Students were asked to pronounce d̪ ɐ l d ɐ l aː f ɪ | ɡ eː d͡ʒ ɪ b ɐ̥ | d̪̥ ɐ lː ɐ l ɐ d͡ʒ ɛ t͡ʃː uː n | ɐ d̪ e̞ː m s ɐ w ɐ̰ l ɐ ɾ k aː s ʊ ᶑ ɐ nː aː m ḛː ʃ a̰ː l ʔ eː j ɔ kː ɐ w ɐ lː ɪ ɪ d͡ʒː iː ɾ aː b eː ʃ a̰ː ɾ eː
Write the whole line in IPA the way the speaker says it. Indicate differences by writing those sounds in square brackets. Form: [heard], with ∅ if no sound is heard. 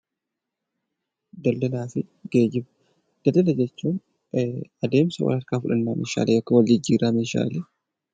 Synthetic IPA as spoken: d̪ ɐ l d ɐ l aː f ɪ | ɡ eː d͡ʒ ɪ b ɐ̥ | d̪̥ ɐ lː ɐ l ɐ d͡ʒ ɛ t͡ʃː uː n | ɐ d̪ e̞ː m s ɐ w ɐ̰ l ɐ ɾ k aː [f] ʊ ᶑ ɐ nː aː m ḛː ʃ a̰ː l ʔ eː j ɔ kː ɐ w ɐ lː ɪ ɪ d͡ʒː iː ɾ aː [m] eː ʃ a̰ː [l] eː